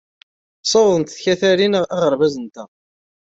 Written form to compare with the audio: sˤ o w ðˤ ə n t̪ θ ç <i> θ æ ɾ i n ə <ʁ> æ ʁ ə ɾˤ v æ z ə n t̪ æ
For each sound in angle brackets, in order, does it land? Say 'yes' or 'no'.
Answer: no, yes

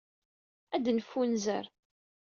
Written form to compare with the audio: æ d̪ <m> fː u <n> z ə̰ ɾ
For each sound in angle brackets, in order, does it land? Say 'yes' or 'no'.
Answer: no, yes

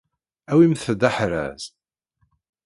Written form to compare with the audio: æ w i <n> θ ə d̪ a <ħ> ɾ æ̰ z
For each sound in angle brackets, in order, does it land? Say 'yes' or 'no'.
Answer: no, yes

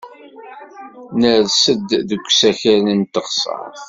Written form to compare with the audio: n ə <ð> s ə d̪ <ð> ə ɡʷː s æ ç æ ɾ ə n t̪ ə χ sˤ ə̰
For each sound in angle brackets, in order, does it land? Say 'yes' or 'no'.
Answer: yes, yes

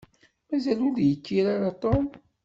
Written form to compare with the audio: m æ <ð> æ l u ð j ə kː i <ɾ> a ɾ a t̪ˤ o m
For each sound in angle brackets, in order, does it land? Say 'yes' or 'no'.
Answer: no, yes

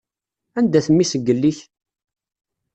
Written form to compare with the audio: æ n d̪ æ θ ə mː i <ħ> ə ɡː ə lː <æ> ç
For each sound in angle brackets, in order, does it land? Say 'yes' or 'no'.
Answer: no, no

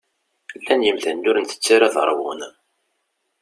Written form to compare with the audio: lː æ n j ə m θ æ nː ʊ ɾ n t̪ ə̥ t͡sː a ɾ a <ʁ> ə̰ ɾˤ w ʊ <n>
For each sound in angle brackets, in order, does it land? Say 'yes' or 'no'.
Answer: no, yes

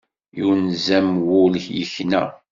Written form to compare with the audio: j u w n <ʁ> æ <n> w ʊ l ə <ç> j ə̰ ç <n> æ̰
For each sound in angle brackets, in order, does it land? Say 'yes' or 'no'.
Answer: no, no, yes, yes

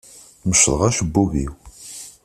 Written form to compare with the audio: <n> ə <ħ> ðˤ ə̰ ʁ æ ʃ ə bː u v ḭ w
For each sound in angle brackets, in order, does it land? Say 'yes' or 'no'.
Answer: no, no

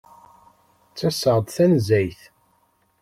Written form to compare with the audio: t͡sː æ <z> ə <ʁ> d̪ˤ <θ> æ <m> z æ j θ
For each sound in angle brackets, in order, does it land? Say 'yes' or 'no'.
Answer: no, yes, yes, no

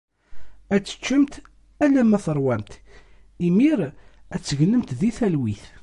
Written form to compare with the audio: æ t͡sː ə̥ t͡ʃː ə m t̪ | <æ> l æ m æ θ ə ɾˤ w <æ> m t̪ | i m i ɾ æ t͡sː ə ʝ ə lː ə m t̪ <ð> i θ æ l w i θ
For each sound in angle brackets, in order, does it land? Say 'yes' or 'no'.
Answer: yes, yes, yes

